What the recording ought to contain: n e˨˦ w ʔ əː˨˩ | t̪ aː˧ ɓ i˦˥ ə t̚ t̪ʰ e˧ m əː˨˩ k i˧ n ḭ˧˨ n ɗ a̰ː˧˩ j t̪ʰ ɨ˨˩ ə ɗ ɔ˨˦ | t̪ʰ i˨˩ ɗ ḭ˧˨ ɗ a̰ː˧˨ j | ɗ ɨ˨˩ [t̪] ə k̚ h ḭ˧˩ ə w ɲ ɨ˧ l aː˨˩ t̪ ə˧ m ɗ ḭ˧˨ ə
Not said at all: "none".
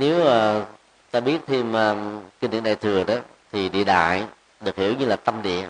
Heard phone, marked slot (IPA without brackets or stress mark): none